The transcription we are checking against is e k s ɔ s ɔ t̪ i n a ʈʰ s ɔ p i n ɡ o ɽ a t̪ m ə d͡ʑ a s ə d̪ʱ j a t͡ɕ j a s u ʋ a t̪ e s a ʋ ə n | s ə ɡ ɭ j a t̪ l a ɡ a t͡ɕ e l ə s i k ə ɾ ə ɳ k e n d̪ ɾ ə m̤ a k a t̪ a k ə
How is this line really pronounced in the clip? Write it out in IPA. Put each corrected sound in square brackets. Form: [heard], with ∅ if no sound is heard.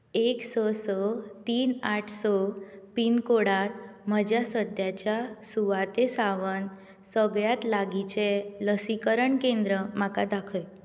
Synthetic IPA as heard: e k s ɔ s ɔ t̪ [iː] n a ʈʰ s ɔ p i n [k] o ɽ a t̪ m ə d͡ʑ a s ə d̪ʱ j a t͡ɕ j a s u ʋ a t̪ e s a ʋ ə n | s ə ɡ ɭ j a t̪ l a ɡ [i] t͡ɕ e l ə s i k ə ɾ ə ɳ k e n d̪ ɾ ə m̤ a k a [d̪] a [kʰ] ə

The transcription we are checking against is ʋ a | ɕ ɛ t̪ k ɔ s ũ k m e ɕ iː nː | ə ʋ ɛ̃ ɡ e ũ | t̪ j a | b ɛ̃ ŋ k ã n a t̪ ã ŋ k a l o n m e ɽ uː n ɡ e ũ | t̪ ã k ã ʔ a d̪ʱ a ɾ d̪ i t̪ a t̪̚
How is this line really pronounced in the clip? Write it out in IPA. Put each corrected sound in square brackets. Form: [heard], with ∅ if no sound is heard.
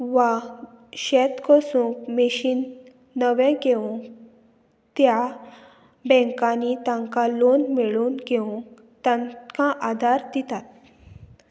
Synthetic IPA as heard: ʋ a | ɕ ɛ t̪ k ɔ s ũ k m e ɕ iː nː | ə ʋ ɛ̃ ɡ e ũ | t̪ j a | b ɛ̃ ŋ k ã n [i] t̪ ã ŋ k a l o n m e [ɭ] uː n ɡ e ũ | t̪ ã k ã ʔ a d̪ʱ a ɾ d̪ i t̪ a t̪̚

